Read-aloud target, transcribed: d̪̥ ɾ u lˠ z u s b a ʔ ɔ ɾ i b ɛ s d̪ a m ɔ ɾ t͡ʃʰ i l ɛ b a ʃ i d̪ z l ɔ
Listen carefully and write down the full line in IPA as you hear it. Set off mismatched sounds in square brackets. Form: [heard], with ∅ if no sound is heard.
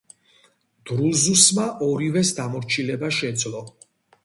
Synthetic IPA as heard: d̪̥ ɾ u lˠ z u s [m] a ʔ ɔ ɾ i [v] ɛ s d̪ a m ɔ ɾ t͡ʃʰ i l ɛ b a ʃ [ɛ] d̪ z l ɔ